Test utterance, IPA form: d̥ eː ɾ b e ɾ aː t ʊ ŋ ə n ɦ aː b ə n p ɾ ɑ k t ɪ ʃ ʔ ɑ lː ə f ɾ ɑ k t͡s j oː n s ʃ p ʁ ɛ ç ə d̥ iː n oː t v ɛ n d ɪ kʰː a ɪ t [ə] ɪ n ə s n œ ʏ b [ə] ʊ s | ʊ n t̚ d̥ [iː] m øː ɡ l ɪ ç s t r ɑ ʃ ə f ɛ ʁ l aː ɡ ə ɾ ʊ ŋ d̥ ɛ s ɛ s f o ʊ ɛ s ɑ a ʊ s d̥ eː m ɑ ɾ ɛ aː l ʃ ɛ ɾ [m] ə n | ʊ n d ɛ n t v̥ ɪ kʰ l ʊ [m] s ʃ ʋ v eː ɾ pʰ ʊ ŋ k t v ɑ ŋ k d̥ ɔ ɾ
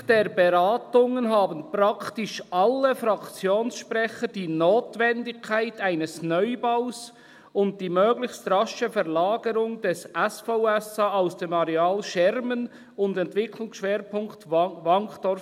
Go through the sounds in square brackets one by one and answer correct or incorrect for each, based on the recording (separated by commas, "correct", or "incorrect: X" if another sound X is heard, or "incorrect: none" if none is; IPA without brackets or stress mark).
incorrect: a, incorrect: a, correct, correct, incorrect: ŋ